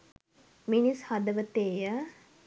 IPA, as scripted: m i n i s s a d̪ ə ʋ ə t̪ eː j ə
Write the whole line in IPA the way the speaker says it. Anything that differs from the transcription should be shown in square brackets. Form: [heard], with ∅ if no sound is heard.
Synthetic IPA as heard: m i n i s [h] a d̪ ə ʋ ə t̪ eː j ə